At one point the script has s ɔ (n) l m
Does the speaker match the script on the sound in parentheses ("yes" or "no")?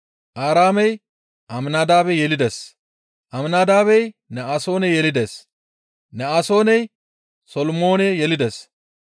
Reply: no